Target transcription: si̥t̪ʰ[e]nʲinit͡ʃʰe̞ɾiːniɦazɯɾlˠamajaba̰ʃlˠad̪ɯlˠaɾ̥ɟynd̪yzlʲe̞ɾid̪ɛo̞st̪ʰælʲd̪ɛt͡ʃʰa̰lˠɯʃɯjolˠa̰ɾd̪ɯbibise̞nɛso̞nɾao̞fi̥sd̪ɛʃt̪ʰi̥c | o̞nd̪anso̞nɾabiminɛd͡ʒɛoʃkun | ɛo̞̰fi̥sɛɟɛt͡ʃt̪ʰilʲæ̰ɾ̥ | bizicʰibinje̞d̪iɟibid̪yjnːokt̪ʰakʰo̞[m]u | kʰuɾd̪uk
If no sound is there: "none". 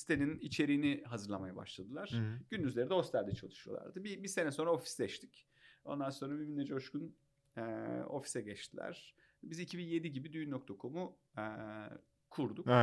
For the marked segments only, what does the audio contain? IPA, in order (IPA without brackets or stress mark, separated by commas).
e, m